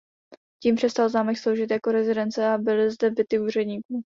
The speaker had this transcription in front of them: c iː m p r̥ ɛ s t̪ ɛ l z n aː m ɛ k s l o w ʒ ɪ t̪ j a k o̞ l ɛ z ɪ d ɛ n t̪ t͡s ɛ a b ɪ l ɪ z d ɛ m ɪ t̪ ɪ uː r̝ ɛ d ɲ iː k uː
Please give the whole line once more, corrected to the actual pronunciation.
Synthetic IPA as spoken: c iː m p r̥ ɛ s t̪ a l z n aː m ɛ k s l o w ʒ ɪ t̪ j a k o̞ ɾ ɛ z ɪ d ɛ n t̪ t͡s ɛ a b ɪ l ɪ z d ɛ b ɪ t̪ ɪ uː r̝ ɛ d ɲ iː k uː